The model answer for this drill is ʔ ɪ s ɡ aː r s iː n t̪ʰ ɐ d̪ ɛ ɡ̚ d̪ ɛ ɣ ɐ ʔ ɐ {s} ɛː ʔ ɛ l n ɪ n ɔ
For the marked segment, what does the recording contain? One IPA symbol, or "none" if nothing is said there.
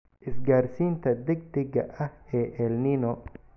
h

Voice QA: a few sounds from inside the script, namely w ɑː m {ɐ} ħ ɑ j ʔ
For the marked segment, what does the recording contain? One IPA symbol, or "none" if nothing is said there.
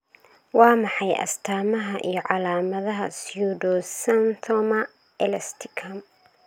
ɑ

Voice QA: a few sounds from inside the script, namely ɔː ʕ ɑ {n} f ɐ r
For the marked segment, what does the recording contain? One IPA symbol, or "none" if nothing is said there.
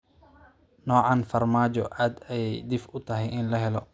n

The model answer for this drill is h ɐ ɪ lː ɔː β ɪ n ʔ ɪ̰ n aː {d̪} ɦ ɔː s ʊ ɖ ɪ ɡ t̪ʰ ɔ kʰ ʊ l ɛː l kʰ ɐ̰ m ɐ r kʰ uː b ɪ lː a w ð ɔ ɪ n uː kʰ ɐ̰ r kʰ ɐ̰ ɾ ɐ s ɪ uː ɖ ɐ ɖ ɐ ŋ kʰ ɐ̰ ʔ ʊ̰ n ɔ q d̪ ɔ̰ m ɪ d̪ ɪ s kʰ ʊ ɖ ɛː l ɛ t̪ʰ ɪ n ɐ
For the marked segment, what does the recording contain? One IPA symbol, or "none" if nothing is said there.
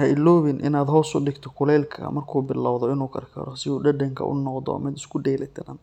d̪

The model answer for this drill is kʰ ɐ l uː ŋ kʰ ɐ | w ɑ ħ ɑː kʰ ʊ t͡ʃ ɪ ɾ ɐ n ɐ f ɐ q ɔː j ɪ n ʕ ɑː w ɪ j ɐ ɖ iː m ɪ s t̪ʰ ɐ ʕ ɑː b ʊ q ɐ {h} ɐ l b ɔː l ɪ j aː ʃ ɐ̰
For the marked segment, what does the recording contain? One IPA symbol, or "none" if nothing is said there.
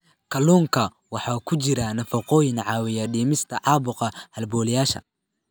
h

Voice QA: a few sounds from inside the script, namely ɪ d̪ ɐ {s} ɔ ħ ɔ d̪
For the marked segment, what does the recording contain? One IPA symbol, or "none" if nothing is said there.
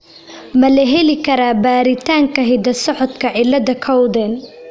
s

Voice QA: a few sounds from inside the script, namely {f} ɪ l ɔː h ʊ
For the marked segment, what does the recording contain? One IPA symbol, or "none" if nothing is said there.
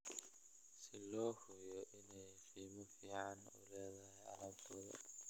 s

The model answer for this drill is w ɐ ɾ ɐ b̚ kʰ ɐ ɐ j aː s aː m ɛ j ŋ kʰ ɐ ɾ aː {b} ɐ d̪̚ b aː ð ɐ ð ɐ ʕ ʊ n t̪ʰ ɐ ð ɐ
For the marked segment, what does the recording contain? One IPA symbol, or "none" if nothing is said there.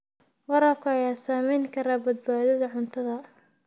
b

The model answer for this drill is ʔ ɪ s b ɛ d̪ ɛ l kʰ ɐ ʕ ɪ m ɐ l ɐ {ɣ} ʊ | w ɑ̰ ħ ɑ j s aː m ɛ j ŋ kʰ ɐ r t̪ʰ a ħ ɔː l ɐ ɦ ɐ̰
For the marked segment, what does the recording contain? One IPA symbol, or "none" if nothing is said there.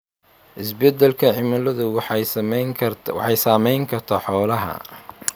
ð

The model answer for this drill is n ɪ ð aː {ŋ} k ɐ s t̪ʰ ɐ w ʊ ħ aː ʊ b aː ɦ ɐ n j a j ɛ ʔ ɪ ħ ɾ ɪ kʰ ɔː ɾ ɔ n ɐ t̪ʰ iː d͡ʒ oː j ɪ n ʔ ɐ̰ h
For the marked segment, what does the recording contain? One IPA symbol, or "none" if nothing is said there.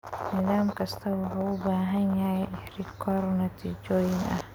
m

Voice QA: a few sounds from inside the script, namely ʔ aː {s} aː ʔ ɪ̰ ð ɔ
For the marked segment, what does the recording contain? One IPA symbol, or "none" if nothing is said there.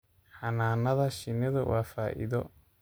f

